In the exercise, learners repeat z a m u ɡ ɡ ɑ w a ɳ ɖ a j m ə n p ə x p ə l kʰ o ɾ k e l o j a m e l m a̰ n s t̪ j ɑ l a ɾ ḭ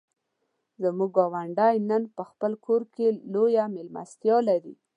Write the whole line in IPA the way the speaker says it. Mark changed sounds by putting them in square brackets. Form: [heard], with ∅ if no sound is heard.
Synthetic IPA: z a m u ɡ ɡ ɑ w a ɳ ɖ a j [n] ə n p ə x p ə l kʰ o ɾ k e l o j a m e l m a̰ [∅] s t̪ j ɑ l a ɾ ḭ

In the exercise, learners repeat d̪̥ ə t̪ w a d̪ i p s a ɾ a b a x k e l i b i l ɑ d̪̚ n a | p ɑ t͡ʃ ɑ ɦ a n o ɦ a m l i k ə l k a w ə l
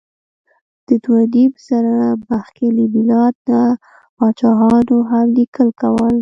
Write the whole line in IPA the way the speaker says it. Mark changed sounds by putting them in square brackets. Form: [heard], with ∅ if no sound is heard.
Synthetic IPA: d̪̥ ə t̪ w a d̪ i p s a ɾ a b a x k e l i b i l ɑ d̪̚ n a | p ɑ t͡ʃ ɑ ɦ [ɑ] n o ɦ a m l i k ə l k a w ə l

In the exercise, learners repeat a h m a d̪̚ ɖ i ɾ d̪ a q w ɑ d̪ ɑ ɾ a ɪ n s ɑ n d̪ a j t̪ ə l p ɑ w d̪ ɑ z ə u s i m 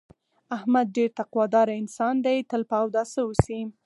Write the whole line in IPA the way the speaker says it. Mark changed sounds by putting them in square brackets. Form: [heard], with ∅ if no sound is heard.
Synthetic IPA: a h m a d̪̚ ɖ [e] ɾ [t̪] a q w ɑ d̪ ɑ ɾ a ɪ n s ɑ n d̪ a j t̪ ə l p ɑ w d̪ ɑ [s] ə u s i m

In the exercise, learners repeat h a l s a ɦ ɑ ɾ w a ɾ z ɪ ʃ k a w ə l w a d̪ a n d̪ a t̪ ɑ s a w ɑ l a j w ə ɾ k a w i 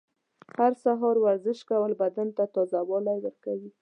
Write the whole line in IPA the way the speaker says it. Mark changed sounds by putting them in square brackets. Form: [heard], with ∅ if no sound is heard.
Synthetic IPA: h a [ɾ] s a ɦ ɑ ɾ w a ɾ z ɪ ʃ k a w ə l [b] a d̪ a n [t̪] a t̪ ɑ [z] a w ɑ l a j w ə ɾ k a w i

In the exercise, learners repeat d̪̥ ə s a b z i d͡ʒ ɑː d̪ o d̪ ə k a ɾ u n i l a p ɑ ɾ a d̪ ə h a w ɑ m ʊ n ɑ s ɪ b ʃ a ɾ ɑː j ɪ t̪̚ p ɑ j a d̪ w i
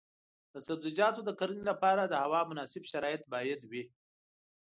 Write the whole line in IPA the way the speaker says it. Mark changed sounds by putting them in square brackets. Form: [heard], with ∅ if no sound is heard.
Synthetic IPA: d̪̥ ə s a b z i d͡ʒ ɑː [t̪] o d̪ ə k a ɾ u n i l a p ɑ ɾ a d̪ ə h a w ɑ m ʊ n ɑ s ɪ b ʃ a ɾ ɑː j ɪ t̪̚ [b] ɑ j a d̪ w i

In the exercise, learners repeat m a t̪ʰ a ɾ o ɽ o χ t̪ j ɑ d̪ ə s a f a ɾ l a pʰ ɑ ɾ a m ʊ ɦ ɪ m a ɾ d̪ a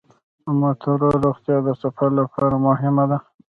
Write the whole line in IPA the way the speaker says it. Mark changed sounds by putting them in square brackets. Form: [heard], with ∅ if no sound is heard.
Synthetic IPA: m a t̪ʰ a ɾ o [ɾ] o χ t̪ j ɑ d̪ ə s a f a ɾ l a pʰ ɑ ɾ a m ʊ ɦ ɪ m a [∅] d̪ a

